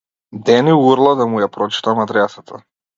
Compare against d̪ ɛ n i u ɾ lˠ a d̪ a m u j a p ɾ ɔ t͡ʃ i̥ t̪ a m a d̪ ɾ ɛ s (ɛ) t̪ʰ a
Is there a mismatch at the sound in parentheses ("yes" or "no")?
yes